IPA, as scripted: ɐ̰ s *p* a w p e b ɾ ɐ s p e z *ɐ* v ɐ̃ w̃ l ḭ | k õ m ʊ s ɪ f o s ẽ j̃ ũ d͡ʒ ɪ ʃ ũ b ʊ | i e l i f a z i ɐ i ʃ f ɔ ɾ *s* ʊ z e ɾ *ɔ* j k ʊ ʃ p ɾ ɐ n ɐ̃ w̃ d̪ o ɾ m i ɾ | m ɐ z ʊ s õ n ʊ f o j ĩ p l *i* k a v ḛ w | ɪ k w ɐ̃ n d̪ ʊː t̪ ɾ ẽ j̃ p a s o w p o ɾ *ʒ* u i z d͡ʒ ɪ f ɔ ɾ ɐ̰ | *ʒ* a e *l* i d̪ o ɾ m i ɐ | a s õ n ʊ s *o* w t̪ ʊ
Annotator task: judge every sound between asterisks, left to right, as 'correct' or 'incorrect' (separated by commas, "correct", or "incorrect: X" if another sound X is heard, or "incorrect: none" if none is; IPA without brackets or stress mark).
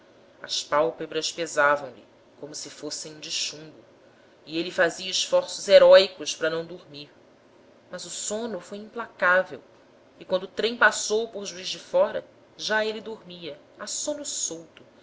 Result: correct, incorrect: a, correct, correct, incorrect: a, correct, correct, correct, correct